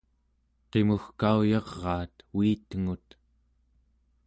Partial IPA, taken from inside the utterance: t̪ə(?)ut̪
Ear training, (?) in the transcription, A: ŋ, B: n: A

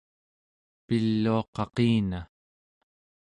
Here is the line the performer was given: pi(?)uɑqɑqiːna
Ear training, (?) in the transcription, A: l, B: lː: B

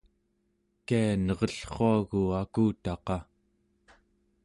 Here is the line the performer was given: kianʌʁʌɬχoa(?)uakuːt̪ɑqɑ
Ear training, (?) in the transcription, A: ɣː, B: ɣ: B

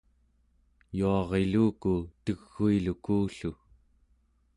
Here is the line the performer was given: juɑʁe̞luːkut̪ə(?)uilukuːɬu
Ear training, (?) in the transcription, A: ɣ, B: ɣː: B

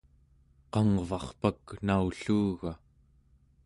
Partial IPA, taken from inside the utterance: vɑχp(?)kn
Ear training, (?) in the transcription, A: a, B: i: A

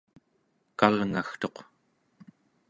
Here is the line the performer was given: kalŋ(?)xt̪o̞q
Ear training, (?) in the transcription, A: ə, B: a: B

